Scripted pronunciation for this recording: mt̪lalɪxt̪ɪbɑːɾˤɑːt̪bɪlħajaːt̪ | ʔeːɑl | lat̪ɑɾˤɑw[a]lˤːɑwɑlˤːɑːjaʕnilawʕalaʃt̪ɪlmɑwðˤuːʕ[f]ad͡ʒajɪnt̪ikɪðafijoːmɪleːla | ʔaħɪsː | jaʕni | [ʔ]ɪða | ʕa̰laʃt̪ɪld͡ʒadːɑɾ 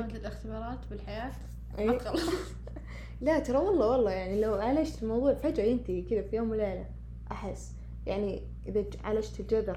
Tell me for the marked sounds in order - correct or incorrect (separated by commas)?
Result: incorrect, correct, correct